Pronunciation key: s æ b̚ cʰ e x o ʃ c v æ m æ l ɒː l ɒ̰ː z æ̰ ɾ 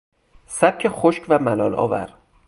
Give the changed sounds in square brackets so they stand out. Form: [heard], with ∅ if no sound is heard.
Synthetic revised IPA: s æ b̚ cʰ e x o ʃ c v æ m æ l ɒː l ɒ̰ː [v] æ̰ ɾ